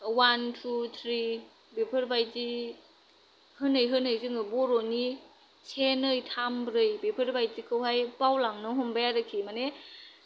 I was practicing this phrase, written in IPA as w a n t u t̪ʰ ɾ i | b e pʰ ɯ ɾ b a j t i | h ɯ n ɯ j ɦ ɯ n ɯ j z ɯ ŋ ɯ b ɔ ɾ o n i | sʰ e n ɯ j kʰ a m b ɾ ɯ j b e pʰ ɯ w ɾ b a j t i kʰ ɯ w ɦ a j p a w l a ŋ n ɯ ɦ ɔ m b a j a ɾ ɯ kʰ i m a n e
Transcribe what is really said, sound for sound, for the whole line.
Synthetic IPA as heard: w a n tʰ u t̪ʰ ɾ i | b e pʰ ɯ ɾ b a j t i | h ɯ n ɯ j ɦ ɯ n ɯ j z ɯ ŋ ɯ b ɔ ɾ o n i | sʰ e n ɯ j tʰ a m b ɾ ɯ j b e pʰ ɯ ɾ b a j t i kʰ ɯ w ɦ a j p a w l a ŋ n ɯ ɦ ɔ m b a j a ɾ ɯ kʰ i m a n e